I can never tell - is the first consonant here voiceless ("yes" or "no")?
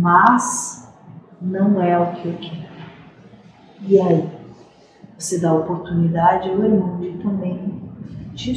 no